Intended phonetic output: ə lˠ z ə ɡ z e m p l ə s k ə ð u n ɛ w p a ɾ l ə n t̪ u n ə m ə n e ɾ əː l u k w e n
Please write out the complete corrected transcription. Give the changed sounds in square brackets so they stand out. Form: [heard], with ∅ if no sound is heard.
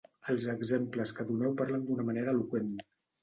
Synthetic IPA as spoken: ə lˠ z ə ɡ z e m p l ə s k ə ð u n ɛ w p a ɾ l ə n [d̪] u n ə m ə n e ɾ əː l u k w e n